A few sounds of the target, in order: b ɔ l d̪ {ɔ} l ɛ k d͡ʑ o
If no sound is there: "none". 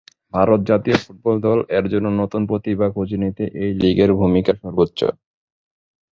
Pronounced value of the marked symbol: ɔ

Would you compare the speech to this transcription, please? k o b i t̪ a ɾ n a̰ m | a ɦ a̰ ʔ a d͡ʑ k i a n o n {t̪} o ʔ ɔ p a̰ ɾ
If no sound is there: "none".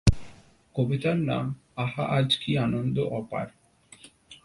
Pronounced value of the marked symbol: d̪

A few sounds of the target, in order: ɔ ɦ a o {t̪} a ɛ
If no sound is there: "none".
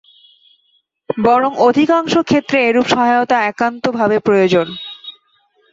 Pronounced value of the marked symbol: t̪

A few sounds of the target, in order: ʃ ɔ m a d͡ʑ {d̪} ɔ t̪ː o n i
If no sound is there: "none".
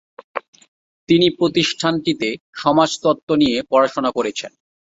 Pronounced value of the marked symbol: t̪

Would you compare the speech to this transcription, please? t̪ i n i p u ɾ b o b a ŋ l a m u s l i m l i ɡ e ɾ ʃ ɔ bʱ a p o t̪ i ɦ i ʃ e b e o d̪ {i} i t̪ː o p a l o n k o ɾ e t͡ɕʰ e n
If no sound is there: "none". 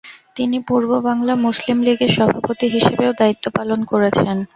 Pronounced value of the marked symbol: a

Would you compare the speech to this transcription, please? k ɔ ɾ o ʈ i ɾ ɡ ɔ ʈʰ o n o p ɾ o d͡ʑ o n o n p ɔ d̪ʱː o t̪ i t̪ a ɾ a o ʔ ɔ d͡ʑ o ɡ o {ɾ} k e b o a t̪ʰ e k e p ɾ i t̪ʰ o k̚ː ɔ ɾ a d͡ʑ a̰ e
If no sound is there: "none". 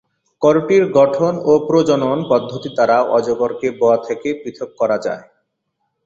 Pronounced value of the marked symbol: ɾ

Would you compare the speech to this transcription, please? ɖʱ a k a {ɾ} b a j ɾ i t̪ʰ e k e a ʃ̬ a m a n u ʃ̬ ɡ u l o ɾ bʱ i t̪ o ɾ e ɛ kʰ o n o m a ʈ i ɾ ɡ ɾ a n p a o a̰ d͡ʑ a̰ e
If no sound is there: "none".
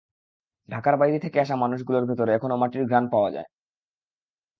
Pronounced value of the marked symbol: ɾ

